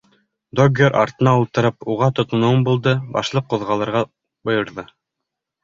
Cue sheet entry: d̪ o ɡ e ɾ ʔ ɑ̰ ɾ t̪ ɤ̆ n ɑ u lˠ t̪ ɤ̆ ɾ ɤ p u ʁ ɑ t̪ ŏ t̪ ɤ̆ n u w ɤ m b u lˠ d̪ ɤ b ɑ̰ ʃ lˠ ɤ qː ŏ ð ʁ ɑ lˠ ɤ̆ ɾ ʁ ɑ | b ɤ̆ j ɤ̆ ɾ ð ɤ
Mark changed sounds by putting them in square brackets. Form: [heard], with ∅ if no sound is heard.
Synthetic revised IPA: d̪ o ɡ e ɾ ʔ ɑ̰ ɾ t̪ ɤ̆ n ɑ u lˠ t̪ ɤ̆ ɾ ɤ p u ʁ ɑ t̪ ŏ t̪ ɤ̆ n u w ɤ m b u lˠ d̪ ɤ b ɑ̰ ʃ lˠ ɤ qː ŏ ð ʁ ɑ lˠ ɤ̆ ɾ ʁ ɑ | b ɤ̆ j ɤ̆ ɾ ð ɤ